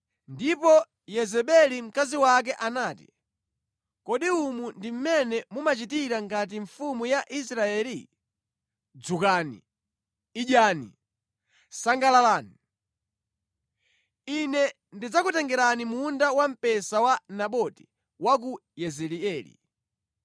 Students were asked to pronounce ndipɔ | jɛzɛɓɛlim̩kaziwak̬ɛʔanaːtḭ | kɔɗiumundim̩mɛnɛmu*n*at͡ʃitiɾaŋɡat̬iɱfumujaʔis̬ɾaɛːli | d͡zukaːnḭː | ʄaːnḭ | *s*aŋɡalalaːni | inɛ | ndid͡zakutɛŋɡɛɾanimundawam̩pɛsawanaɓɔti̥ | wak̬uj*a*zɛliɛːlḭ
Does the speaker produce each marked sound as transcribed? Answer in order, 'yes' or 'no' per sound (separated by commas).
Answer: no, yes, no